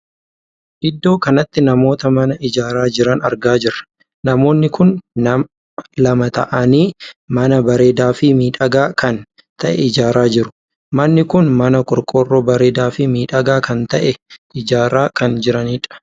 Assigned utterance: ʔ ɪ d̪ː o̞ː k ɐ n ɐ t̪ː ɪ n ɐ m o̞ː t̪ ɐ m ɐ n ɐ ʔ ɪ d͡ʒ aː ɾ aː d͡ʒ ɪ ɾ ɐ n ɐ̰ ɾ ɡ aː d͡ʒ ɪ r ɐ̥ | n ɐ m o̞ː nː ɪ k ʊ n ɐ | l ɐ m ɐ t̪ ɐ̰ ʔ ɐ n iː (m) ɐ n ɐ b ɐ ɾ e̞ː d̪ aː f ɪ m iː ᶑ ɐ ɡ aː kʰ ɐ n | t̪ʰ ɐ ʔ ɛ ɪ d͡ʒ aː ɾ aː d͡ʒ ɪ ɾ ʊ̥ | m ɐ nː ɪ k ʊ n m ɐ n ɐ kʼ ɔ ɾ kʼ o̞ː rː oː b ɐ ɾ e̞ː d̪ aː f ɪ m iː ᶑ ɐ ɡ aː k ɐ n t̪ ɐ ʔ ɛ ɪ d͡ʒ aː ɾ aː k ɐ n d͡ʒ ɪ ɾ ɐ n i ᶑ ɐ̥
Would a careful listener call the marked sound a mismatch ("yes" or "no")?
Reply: no